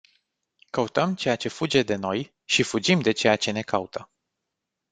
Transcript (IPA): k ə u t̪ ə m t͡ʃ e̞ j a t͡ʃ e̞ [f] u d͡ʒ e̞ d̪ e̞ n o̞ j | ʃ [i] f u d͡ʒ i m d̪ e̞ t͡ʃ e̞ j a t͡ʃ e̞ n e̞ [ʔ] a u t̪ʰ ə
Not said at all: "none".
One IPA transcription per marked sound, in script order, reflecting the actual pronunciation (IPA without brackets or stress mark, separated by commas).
f, i, k